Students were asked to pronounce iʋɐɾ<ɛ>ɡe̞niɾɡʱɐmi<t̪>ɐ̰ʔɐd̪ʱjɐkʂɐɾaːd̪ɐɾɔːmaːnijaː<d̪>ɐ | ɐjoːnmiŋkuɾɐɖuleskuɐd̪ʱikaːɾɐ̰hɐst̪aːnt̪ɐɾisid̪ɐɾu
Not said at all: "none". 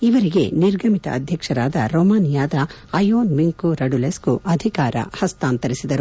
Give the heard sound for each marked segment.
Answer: i, t̪, d̪

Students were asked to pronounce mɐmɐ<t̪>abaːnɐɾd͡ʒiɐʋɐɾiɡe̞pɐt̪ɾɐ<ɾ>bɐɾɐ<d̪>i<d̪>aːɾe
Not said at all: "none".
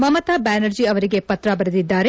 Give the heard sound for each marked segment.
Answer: t̪, none, d̪, d̪ː

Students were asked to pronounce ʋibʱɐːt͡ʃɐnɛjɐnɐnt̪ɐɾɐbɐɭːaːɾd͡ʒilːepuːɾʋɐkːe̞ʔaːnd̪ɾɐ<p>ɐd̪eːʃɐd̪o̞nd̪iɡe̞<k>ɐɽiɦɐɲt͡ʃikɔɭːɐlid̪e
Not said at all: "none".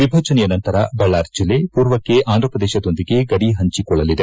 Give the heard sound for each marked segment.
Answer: p, ɡ

